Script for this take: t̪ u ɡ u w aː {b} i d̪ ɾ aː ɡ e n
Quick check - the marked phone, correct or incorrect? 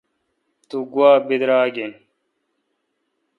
correct